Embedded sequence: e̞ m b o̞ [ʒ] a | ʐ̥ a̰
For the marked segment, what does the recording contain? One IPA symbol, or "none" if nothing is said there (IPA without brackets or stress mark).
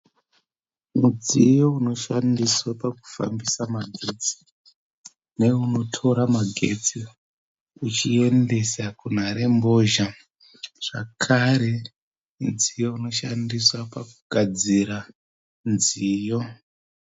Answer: ʒ